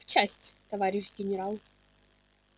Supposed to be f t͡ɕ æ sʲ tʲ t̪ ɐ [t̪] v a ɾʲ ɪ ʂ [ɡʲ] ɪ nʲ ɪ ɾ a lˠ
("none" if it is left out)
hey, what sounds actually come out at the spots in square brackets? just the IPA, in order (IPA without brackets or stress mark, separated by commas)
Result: none, ɡʲ